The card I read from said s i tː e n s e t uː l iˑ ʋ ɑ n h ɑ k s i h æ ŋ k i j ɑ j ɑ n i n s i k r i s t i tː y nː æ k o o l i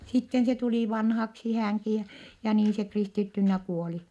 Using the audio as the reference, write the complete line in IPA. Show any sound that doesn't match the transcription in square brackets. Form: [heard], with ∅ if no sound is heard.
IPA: s i tː e n s e t [u] l iˑ ʋ ɑ n h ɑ k s i h æ ŋ k i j ɑ j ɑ n [iː] n s [e] k r i s t i tː y nː æ k [u] o l i